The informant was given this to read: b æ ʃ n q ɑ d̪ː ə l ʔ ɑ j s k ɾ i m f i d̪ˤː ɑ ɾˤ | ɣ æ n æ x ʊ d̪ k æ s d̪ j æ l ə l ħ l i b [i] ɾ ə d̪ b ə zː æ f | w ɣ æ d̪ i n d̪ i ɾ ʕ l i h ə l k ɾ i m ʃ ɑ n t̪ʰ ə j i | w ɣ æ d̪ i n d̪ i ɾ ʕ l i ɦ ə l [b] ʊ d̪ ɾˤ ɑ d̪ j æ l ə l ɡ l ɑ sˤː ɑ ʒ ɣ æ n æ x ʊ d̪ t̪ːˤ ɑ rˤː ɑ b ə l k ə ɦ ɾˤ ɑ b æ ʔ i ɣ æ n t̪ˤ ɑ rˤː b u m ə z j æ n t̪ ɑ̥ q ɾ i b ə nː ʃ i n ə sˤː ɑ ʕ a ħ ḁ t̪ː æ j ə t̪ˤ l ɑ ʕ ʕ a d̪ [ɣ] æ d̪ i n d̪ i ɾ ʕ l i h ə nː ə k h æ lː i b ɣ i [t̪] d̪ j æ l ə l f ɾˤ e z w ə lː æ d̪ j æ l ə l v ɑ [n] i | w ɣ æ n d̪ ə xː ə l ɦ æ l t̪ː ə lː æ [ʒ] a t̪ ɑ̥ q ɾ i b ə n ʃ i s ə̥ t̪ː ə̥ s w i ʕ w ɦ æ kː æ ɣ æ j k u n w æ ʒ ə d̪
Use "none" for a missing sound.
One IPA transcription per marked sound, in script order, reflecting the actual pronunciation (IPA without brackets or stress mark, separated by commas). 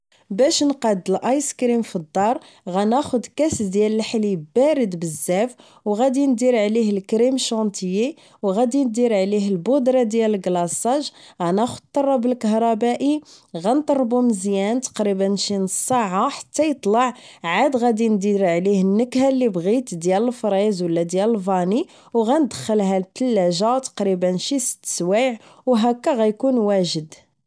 æ, b, ɣ, t̪, n, ʒ